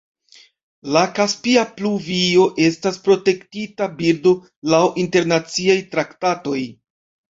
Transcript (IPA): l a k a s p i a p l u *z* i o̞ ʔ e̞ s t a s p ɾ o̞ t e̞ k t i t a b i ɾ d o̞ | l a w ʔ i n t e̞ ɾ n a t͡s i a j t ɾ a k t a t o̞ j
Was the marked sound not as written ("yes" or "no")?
yes